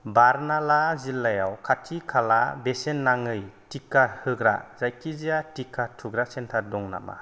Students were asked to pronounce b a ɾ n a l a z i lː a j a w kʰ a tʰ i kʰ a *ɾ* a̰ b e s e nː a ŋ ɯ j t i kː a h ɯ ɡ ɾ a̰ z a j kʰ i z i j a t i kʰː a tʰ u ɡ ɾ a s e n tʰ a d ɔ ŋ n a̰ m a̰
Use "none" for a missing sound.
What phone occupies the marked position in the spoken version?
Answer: l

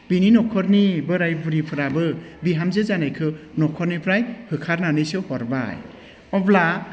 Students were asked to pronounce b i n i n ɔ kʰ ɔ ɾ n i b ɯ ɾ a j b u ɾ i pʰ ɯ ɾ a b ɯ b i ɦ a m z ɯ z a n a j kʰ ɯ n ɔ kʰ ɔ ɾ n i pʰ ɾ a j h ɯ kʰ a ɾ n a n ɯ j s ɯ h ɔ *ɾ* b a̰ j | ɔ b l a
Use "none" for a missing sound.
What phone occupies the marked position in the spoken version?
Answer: ɾ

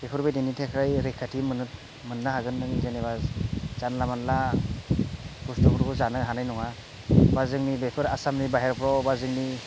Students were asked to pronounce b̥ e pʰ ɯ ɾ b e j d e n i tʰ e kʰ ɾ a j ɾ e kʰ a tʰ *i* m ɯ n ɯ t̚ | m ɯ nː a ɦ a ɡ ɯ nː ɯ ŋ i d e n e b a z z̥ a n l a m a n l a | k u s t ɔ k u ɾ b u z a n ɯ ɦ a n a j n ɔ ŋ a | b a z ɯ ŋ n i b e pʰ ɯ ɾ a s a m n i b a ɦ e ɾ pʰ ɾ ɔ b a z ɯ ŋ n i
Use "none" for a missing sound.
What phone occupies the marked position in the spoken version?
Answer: i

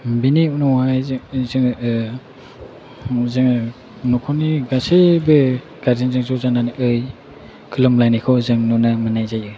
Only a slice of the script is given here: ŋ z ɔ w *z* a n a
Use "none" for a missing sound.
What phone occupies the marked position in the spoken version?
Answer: z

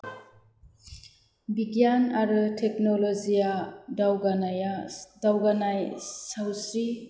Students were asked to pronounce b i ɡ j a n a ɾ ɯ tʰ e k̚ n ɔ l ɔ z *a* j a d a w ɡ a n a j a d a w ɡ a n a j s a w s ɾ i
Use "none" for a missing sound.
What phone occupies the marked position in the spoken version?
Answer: i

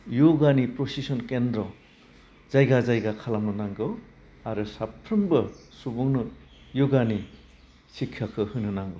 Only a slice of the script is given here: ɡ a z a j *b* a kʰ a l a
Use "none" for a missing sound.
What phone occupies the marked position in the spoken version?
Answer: ɡ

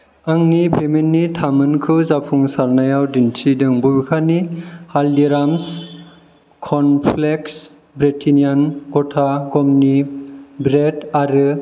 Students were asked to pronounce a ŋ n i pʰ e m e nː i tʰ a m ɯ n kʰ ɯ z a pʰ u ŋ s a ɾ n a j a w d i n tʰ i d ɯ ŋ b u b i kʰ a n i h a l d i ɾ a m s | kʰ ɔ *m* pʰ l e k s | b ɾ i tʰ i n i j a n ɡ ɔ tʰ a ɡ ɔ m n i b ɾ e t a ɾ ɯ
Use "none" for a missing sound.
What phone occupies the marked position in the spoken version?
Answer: n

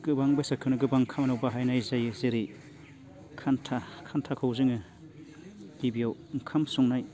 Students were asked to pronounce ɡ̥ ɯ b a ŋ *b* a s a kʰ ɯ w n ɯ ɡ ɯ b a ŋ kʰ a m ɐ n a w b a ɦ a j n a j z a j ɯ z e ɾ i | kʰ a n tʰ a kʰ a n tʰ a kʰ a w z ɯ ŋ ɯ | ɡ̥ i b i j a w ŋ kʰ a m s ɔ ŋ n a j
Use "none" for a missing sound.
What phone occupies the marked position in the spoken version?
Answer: b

